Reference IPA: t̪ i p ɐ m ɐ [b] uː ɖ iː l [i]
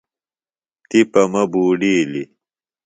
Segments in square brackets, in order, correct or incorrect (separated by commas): correct, correct